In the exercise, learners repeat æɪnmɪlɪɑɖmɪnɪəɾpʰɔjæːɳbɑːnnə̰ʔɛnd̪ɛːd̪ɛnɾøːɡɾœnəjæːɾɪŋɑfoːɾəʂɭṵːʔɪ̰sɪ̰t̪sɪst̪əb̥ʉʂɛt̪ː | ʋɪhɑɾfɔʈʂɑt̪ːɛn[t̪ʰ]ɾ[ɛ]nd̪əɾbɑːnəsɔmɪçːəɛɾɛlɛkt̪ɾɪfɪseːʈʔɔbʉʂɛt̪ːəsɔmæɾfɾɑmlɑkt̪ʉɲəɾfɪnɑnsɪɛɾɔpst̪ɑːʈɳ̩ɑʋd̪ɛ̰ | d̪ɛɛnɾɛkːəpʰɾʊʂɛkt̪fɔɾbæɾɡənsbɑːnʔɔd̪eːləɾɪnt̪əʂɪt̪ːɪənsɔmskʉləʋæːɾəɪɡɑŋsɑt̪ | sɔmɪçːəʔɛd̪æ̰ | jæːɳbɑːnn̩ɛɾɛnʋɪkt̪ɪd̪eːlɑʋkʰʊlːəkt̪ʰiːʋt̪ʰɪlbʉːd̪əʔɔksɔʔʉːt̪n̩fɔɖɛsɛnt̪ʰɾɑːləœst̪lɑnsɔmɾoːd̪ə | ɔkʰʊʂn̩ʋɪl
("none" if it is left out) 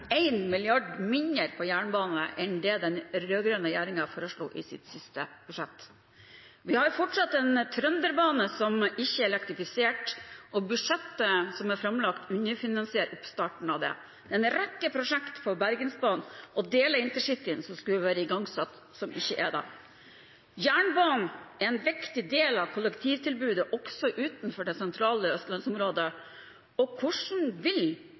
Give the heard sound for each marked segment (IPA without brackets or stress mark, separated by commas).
t̪ʰ, œ